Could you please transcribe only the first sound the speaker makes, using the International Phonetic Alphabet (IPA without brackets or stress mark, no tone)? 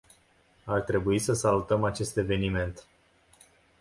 a